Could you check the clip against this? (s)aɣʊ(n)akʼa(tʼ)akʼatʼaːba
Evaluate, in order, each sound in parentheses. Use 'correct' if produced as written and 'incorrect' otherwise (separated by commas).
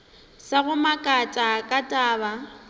correct, incorrect, correct